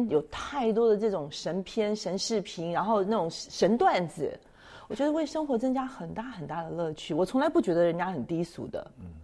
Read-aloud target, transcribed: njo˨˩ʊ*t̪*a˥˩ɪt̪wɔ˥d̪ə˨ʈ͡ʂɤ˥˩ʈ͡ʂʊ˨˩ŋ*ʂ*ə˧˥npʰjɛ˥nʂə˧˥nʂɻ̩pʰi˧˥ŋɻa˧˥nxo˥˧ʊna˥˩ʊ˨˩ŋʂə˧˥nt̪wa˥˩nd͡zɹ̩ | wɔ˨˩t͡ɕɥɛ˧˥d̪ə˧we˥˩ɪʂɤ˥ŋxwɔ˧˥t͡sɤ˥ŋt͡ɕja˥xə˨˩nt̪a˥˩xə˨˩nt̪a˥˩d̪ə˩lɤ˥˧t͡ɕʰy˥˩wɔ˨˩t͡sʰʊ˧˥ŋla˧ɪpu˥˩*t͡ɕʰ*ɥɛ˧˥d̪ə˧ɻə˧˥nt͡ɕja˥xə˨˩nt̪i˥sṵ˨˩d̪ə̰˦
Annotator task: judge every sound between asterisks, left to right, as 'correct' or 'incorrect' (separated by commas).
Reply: incorrect, correct, incorrect